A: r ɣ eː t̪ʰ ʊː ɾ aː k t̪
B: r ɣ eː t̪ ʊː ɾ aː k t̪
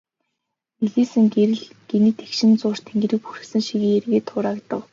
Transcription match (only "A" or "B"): A